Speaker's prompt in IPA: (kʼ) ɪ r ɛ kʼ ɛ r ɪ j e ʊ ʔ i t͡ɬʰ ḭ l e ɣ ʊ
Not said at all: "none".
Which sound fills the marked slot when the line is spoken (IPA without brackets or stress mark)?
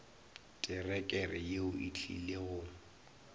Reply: tʼ